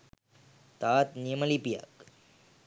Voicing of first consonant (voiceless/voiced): voiceless